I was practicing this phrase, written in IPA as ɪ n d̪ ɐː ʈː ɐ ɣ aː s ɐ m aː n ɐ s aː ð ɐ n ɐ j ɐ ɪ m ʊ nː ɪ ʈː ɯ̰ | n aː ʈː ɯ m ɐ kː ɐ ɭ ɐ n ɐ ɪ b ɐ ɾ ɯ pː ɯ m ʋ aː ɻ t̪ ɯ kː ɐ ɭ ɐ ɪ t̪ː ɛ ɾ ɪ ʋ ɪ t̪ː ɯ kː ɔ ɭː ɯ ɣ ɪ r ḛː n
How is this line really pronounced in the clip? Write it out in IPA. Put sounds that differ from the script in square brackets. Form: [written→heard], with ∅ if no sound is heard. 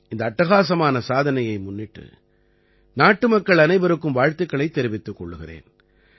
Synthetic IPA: ɪ n d̪ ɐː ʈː ɐ ɣ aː s ɐ m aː n ɐ s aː ð ɐ n ɐ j ɐ ɪ m ʊ nː ɪ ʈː ɯ̰ | n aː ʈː ɯ m ɐ kː ɐ ɭ ɐ n ɐ ɪ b ɐ ɾ ɯ [pː→kː] ɯ m ʋ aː ɻ t̪ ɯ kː ɐ ɭ ɐ ɪ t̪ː ɛ ɾ ɪ ʋ ɪ t̪ː ɯ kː ɔ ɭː ɯ ɣ ɪ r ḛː n